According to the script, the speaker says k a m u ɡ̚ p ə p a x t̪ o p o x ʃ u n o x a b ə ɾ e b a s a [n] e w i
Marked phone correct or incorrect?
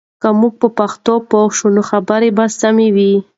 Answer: incorrect: m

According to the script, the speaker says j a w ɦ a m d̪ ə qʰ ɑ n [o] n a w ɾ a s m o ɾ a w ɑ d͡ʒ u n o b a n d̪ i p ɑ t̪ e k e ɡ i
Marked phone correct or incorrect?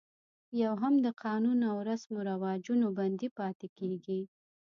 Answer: incorrect: u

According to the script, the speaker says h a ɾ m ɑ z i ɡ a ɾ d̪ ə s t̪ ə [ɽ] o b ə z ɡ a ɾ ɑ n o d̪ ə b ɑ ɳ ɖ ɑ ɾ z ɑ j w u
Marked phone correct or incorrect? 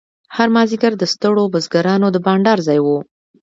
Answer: correct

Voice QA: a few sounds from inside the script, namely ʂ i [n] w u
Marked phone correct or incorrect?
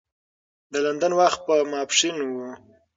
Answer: correct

